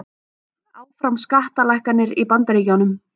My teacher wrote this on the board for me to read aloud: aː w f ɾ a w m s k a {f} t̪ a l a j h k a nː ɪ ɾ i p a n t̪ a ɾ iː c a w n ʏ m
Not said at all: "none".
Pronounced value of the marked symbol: h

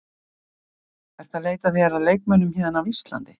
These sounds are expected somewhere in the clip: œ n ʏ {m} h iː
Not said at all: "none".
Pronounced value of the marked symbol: m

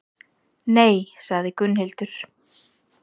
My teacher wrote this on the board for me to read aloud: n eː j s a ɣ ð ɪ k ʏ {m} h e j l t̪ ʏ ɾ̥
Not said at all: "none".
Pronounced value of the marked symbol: n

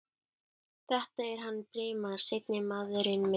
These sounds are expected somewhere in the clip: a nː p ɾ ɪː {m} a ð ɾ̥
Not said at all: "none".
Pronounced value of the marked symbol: m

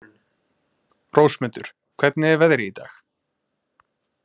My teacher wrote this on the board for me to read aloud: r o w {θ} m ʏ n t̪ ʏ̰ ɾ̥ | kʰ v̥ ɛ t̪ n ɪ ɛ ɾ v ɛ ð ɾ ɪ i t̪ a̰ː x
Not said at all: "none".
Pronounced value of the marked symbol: s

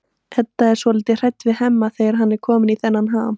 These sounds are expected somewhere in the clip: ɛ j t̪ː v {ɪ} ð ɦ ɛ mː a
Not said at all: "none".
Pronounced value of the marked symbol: ɪ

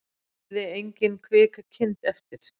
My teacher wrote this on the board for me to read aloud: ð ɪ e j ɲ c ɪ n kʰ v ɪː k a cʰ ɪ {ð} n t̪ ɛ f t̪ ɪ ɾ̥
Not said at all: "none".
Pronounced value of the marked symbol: none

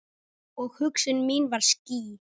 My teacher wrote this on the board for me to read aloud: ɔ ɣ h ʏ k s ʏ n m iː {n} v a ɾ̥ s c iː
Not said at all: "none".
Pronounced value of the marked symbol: n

